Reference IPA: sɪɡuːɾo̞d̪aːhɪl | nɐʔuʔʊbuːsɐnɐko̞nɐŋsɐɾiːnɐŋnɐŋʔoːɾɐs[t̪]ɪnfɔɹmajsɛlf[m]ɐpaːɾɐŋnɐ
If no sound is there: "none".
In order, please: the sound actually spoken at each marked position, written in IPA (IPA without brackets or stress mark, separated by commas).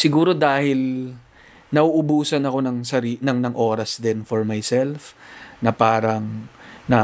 d̪, n